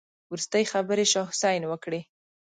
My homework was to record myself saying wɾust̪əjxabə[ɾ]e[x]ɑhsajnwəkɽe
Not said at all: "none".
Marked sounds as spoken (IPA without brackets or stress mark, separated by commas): ɾ, ʃ